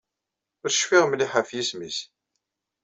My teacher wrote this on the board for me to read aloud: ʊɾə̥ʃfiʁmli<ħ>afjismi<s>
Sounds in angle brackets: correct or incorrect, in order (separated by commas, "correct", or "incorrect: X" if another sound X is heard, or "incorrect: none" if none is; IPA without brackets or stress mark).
correct, correct